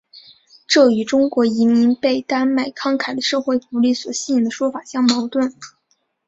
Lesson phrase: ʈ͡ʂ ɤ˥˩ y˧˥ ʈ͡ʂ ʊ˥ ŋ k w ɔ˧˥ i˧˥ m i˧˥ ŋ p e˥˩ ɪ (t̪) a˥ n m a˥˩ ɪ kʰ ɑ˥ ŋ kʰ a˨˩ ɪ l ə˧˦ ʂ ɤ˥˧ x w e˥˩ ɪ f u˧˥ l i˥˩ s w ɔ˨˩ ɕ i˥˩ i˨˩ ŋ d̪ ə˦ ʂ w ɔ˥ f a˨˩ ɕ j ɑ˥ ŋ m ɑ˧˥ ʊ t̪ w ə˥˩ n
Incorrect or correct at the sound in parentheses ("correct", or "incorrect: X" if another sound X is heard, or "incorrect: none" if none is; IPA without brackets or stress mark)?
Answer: correct